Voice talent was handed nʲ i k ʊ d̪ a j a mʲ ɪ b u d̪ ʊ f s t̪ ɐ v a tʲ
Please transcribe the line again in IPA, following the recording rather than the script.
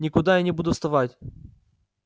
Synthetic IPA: nʲ ɪ k ʊ d̪ a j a nʲ ɪ b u d̪ ʊ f s t̪ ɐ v a tʲ